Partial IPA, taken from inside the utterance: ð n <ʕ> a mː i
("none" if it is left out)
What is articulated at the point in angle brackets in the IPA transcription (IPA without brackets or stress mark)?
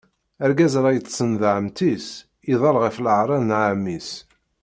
ʕ